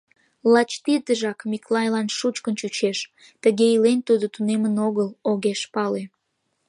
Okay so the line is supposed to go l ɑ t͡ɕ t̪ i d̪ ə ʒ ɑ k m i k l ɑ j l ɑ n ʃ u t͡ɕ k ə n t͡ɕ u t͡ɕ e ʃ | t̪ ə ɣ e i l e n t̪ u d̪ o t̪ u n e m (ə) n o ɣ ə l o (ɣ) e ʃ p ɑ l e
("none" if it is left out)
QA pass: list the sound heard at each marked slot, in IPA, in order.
ə, ɣ

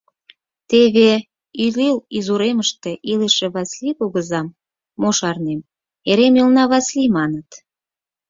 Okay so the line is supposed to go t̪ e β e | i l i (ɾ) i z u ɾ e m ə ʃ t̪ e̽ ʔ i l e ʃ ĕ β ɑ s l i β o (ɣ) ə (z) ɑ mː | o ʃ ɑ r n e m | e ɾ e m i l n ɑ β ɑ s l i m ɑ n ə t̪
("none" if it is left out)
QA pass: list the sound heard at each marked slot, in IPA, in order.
l, ɣ, z

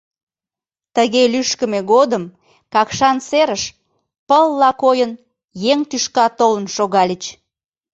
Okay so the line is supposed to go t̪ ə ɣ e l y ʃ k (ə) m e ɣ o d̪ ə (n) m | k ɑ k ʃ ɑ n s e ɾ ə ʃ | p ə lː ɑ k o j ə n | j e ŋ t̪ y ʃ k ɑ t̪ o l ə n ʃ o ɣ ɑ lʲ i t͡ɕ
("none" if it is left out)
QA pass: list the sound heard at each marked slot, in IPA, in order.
ə, none

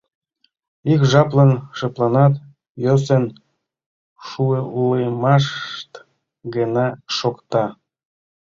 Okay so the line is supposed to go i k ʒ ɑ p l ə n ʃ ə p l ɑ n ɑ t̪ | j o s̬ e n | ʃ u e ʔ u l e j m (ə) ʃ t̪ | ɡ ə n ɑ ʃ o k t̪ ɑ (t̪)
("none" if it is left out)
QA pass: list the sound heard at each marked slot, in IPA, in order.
ɑ, none

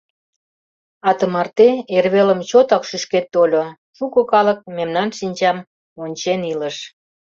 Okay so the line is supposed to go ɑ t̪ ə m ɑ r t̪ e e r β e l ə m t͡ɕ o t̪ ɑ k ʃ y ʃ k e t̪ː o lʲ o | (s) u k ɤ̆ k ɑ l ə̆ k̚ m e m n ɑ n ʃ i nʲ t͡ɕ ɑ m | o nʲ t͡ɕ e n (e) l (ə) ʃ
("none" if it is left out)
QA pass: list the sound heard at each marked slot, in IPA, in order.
ʃ, i, ə

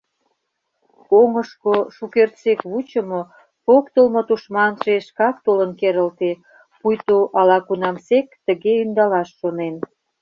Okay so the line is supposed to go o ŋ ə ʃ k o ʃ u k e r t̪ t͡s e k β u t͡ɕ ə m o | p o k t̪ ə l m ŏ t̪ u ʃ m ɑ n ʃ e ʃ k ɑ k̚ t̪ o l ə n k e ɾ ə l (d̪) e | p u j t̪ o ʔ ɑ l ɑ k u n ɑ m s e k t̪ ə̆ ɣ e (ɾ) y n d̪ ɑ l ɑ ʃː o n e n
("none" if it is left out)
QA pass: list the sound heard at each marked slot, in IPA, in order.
t̪, none

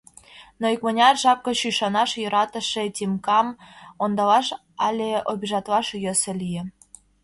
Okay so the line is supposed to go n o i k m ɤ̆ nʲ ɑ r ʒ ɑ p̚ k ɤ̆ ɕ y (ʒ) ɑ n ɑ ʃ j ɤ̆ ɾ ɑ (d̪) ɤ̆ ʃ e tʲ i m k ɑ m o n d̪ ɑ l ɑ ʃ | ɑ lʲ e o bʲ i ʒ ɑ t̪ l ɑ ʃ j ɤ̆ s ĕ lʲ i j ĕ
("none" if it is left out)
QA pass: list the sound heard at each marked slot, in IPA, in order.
ʃ, t̪

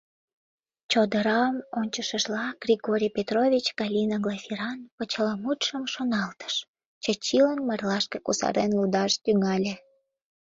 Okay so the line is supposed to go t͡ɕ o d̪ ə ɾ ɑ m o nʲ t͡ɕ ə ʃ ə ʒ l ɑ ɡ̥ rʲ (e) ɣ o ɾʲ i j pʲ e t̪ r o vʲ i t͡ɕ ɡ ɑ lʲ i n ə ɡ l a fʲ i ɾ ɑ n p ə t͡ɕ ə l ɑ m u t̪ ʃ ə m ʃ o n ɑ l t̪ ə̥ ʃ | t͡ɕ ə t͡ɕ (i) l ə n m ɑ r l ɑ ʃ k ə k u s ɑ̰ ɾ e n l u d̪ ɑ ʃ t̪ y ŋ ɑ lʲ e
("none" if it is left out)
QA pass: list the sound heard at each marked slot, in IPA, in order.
i, i

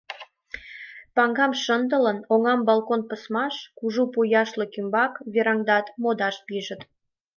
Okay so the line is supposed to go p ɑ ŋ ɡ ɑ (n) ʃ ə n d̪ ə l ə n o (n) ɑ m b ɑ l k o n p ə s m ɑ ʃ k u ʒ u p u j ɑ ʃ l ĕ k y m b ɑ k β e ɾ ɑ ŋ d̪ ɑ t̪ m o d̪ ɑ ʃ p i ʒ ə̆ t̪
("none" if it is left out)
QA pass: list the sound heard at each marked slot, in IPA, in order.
m, ŋ

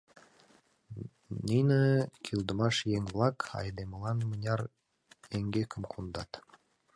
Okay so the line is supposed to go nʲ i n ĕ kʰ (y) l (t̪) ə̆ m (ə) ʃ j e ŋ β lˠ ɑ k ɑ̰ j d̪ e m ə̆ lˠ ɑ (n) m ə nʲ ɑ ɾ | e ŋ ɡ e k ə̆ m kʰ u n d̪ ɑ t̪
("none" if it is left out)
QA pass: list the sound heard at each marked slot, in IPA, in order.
i, d̪, ɑ, n

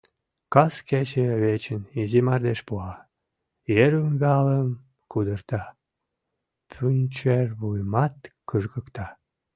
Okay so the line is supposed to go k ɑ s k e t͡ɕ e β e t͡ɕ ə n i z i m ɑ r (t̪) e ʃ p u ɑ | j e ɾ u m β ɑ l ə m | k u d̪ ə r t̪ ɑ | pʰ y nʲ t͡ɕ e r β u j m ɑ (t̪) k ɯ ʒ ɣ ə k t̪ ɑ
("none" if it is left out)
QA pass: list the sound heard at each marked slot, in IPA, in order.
d̪, t̪

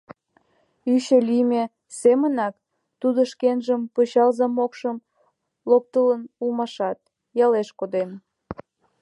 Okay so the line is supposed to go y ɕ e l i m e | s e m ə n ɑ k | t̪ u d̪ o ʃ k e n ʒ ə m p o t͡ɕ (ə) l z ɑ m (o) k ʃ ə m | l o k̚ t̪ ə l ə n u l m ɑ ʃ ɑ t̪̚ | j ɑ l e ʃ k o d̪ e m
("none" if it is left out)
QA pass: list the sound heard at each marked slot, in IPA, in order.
ɑ, o

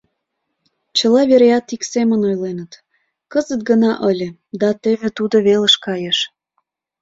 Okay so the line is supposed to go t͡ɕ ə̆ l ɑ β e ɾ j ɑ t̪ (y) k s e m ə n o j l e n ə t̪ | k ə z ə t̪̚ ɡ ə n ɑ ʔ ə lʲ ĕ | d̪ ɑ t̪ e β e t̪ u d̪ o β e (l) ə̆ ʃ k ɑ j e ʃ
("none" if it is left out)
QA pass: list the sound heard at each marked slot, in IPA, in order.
i, l

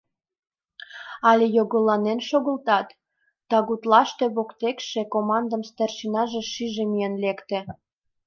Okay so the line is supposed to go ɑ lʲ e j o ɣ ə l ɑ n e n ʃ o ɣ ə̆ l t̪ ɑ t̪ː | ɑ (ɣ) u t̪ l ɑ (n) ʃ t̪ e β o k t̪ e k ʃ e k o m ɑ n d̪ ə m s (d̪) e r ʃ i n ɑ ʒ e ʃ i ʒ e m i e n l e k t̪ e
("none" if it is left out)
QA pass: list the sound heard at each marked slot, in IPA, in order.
ɣ, none, t̪

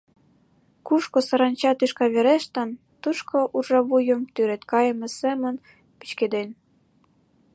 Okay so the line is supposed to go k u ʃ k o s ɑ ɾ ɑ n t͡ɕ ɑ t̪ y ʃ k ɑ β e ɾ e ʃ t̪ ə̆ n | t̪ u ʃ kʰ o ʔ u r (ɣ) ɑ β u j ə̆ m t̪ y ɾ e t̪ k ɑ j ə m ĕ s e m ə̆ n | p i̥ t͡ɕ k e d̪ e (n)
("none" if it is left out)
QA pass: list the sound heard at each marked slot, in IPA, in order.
ʒ, n

